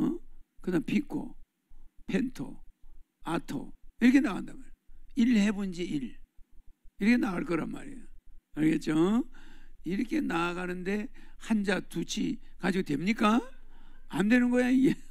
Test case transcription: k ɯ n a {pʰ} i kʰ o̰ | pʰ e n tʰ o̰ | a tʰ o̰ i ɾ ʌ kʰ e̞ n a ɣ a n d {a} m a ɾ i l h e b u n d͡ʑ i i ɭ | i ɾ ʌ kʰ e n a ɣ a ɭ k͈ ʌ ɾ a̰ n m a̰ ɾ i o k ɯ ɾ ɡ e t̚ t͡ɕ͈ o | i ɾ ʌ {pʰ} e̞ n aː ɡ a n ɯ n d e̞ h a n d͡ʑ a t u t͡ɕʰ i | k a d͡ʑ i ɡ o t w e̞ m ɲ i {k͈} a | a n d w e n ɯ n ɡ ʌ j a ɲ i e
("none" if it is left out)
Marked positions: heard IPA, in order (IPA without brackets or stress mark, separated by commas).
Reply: pʰ, a, kʰ, k͈